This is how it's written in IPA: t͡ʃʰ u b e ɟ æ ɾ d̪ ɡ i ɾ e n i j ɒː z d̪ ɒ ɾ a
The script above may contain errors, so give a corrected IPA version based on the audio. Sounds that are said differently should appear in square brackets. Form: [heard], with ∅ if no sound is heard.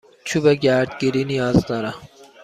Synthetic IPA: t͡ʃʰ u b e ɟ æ ɾ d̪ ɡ i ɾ [i] n i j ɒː z d̪ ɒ ɾ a